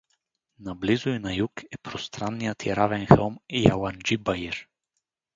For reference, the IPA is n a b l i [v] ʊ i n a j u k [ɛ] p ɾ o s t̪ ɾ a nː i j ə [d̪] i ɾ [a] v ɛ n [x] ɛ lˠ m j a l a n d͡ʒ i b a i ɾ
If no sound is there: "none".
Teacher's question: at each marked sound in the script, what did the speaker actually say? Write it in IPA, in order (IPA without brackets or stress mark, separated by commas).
z, ɛ, t̪, a, x